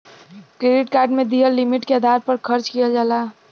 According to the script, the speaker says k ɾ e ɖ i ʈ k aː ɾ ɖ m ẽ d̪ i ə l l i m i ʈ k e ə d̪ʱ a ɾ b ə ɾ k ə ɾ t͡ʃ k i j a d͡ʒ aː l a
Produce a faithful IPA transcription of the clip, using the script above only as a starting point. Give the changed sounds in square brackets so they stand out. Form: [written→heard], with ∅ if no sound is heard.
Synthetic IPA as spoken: k ɾ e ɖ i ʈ k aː ɾ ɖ m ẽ d̪ i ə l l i m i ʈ k e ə d̪ʱ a ɾ [b→p] ə ɾ [k→kʰ] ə ɾ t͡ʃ k i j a d͡ʒ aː l a